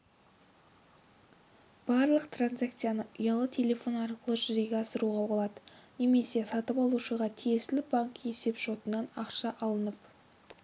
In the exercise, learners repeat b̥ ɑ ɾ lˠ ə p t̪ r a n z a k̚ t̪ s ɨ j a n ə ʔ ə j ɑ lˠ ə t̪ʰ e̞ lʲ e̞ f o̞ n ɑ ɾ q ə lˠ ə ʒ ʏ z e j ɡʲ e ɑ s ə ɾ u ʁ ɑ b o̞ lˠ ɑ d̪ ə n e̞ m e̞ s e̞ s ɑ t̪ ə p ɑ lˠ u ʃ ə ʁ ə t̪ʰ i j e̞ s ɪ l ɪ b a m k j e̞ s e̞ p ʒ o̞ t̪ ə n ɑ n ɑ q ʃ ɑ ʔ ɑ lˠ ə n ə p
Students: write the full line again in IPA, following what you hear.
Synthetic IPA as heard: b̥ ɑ ɾ lˠ ə q t̪ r a n z a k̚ t̪ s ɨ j a n ə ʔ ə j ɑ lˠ ə t̪ʰ e̞ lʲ e̞ f o̞ n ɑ ɾ q ə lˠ ə ʒ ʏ z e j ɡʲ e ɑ s ə ɾ u ʁ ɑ b o̞ lˠ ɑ d̪ ə n e̞ m e̞ s e̞ s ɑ t̪ ə p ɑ lˠ u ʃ ə ʁ ɑ t̪ʰ i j e̞ s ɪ l ɪ b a ŋ k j e̞ s e̞ p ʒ o̞ t̪ ə n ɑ n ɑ q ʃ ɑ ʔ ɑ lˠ ə n ə p